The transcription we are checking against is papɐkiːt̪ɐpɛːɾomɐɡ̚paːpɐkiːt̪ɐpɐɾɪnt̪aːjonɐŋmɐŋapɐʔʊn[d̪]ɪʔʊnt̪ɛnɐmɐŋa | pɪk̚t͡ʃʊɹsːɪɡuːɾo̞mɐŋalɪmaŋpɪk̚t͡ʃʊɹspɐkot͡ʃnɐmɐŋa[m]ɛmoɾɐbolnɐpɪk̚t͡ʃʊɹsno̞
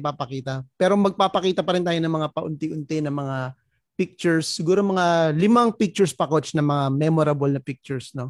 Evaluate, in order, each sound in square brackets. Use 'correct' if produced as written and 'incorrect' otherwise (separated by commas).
incorrect, correct